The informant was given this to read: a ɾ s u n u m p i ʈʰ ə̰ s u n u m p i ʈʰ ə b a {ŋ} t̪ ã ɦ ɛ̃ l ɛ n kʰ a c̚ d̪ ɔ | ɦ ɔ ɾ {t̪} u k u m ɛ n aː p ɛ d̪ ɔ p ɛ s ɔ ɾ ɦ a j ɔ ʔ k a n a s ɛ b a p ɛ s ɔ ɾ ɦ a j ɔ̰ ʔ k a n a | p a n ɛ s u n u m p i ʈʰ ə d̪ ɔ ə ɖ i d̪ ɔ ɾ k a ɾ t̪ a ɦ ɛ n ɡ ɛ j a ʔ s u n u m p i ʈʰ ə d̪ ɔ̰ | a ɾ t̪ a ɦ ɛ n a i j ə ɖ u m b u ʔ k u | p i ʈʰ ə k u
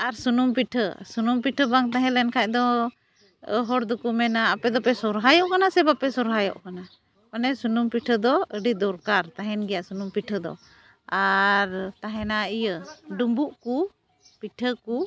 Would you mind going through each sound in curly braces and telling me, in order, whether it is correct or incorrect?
correct, incorrect: d̪

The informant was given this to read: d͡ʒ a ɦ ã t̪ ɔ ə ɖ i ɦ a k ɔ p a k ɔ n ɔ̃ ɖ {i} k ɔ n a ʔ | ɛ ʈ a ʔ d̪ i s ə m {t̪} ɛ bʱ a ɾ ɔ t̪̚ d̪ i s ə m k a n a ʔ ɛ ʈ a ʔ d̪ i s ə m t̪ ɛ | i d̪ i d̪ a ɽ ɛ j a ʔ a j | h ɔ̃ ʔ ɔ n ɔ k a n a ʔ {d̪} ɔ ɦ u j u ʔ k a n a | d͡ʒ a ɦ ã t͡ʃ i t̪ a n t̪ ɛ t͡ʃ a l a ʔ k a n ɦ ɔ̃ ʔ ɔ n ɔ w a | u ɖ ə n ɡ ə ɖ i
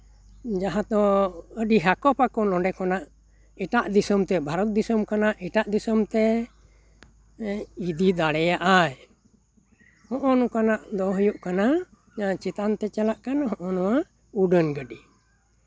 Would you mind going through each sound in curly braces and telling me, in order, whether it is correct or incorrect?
incorrect: ɛ, correct, correct

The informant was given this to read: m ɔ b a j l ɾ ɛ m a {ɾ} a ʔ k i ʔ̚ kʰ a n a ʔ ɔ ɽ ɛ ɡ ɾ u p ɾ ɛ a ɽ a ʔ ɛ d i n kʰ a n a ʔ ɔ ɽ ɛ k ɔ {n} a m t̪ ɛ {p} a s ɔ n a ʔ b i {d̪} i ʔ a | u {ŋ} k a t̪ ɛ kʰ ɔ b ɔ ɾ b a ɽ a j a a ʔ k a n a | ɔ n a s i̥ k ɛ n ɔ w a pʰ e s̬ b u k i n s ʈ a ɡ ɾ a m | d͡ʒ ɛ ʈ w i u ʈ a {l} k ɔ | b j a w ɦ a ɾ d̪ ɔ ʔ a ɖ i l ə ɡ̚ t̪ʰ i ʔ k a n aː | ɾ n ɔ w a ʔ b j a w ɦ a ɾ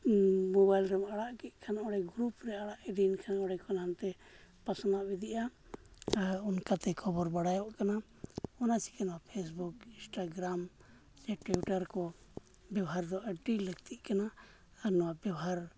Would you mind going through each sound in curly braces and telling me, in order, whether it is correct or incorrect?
incorrect: ɽ, correct, correct, correct, incorrect: n, incorrect: ɾ

